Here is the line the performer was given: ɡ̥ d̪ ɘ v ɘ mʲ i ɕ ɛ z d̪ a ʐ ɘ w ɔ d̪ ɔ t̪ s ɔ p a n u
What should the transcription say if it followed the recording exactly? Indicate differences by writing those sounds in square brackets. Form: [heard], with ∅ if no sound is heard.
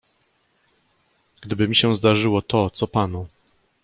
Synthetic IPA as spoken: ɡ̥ d̪ ɘ [b] ɘ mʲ i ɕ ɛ z d̪ a ʐ ɘ w ɔ [t̪] ɔ t̪ s ɔ p a n u